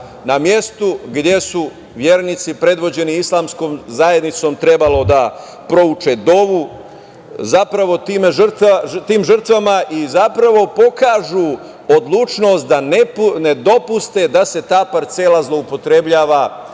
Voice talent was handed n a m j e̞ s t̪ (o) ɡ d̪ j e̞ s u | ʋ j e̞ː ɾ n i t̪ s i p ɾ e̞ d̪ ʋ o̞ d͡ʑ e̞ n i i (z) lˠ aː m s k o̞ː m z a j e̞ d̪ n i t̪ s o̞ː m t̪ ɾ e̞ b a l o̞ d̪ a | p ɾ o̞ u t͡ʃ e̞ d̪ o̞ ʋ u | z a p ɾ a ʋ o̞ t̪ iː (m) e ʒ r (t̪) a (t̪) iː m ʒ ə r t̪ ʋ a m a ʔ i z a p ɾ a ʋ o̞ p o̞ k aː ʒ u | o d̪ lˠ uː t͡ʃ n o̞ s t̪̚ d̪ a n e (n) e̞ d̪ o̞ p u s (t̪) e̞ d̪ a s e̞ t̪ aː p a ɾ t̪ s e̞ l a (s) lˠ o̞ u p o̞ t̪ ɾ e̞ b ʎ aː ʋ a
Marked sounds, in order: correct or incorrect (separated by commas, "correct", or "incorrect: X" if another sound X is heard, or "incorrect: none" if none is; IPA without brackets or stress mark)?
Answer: incorrect: u, incorrect: s, correct, correct, correct, correct, correct, incorrect: z